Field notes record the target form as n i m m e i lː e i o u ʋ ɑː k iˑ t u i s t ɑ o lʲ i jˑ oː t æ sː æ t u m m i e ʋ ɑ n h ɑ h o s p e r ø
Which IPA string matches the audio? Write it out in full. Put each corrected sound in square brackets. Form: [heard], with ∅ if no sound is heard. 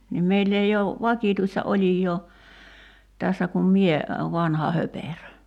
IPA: n i m m e i lː e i o u ʋ [ɑ] k iˑ t u i s t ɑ o lʲ i jˑ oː t æ sː æ [k] u m m i e ʋ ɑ n h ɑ h o [∅] p e r ø